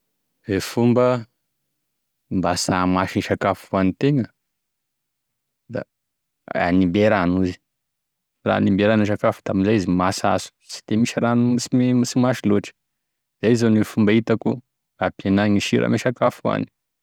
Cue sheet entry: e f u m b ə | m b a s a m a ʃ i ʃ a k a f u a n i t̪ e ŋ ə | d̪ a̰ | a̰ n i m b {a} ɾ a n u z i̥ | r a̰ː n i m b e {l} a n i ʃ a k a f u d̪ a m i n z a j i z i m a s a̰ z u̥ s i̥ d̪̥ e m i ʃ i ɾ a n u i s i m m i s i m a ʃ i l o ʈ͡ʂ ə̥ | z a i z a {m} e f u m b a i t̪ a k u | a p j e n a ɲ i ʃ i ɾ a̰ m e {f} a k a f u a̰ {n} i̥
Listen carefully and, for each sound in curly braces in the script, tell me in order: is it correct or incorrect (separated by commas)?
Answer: incorrect, incorrect, incorrect, incorrect, correct